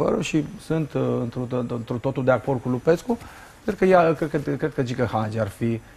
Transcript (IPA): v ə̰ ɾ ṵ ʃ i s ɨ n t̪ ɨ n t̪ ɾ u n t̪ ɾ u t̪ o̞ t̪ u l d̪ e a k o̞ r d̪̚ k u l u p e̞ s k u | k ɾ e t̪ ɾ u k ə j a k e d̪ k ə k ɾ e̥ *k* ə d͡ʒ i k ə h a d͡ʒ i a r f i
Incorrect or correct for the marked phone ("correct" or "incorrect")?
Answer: correct